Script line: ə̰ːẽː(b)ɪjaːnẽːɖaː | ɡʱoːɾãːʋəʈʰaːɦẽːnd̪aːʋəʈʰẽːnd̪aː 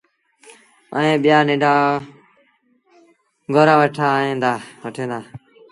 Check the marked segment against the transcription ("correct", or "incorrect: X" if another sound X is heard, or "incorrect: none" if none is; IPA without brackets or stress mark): incorrect: ɓ